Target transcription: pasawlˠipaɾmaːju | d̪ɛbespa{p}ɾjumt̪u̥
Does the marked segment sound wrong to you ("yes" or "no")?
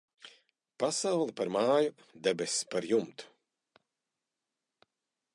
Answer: yes